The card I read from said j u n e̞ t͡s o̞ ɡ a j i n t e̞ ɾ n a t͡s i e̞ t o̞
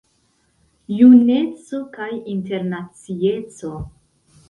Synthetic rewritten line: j u n e̞ t͡s o̞ k a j i n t e̞ ɾ n a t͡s i e̞ t͡s o̞